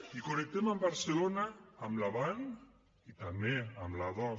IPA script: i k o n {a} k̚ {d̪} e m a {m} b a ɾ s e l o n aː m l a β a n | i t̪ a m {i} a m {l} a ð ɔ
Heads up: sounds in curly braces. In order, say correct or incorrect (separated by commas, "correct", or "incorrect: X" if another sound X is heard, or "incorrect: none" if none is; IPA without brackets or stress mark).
incorrect: e, incorrect: t̪, correct, incorrect: e, correct